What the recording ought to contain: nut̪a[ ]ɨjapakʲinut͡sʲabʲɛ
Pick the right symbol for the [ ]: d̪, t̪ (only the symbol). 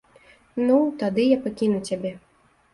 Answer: d̪